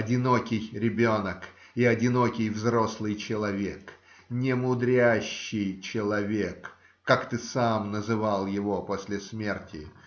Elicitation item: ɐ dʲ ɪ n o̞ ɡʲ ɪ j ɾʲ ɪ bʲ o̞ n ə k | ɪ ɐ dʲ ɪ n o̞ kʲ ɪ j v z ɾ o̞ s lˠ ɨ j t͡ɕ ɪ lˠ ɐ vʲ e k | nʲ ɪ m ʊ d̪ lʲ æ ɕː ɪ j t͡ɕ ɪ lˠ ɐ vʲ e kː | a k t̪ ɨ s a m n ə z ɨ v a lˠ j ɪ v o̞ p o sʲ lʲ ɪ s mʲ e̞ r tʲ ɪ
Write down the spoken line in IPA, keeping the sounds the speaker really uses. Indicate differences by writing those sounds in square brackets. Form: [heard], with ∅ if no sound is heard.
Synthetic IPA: ɐ dʲ ɪ n o̞ [kʲ] ɪ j ɾʲ ɪ bʲ o̞ n ə k | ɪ ɐ dʲ ɪ n o̞ kʲ ɪ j v z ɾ o̞ s lˠ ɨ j t͡ɕ ɪ lˠ ɐ vʲ e k | nʲ ɪ m ʊ d̪ [ɾʲ] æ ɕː ɪ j t͡ɕ ɪ lˠ ɐ vʲ e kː | a k t̪ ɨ s a m n ə z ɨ v a lˠ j ɪ v o̞ p o sʲ lʲ ɪ s mʲ e̞ r tʲ ɪ